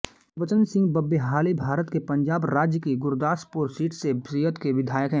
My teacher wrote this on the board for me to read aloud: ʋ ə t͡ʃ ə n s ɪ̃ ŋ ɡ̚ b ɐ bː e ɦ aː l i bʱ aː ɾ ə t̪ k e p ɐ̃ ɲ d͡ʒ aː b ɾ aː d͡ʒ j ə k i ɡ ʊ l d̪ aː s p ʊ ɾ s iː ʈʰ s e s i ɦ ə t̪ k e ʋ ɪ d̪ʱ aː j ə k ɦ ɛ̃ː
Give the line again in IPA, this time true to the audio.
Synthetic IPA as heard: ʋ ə t͡ʃ ə n s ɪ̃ ŋ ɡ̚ b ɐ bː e ɦ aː l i bʱ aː ɾ ə t̪ k e p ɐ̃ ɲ d͡ʒ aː b ɾ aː d͡ʒ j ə k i ɡ ʊ ɾ d̪ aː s p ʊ ɾ s iː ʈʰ s e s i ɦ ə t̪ k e ʋ ɪ d̪ʱ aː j ə k ɦ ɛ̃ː